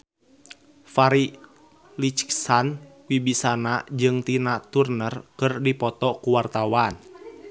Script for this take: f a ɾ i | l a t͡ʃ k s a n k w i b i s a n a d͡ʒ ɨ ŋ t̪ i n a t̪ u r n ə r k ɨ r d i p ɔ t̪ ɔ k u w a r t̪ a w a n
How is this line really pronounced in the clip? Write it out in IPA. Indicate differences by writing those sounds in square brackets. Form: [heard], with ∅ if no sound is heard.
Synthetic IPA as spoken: f a ɾ i | l [i] t͡ʃ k s a n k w i b i s a n a d͡ʒ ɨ ŋ t̪ i n a t̪ u r n ə r k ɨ r d i p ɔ t̪ ɔ k u w a r t̪ a w a n